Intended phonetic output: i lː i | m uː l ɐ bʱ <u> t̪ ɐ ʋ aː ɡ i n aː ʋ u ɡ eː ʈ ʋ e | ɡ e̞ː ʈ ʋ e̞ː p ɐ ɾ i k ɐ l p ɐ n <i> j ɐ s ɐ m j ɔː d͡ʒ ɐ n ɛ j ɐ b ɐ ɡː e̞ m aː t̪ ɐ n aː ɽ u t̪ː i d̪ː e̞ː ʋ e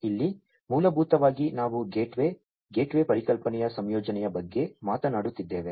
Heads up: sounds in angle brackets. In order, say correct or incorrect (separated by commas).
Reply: incorrect, incorrect